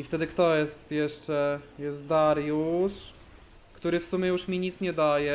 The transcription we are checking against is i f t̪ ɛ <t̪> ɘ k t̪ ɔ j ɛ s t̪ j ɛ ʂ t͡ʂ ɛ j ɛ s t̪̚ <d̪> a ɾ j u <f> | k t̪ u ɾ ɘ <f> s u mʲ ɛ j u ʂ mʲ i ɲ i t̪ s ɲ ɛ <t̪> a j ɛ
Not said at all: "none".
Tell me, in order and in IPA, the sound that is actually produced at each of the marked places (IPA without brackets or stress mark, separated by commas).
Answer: d̪, d̪, ʂ, f, d̪